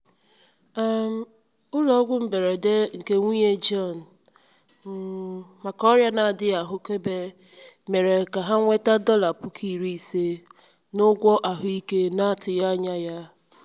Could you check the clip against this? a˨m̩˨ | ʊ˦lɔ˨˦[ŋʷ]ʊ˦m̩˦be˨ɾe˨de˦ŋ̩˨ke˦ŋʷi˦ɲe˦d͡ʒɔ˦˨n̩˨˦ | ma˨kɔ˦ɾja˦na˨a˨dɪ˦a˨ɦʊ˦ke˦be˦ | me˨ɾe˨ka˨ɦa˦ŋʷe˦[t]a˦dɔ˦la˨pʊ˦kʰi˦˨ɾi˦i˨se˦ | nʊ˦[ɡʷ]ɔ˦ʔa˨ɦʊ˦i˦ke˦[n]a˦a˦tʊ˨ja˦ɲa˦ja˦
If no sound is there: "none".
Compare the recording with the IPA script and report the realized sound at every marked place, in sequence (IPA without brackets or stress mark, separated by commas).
ɡʷ, t, ɡʷ, n